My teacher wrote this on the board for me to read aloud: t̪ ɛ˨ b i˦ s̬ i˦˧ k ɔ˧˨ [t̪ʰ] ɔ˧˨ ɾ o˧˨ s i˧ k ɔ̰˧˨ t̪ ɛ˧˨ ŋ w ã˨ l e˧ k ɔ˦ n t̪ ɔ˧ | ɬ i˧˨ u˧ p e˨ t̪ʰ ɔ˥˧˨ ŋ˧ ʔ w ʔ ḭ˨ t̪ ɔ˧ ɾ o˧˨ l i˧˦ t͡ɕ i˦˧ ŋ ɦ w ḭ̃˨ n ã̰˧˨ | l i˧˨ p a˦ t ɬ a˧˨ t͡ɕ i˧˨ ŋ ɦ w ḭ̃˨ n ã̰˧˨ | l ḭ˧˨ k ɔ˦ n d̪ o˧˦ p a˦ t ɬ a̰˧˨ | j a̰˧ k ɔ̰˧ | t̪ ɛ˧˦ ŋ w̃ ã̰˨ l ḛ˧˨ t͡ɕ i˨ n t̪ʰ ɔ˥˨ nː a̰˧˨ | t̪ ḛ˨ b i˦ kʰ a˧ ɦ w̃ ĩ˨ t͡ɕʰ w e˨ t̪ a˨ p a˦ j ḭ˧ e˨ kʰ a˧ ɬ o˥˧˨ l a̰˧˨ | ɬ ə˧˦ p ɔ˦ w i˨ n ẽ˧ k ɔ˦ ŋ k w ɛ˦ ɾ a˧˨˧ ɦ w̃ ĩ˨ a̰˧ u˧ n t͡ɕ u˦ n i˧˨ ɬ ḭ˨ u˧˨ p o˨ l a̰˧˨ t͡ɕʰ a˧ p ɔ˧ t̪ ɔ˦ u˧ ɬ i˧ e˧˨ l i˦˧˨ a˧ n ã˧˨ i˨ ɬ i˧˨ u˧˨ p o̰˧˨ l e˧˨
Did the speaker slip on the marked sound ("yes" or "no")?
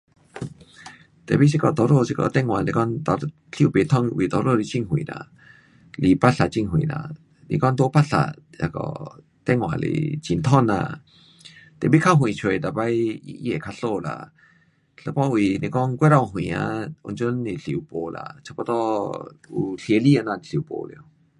yes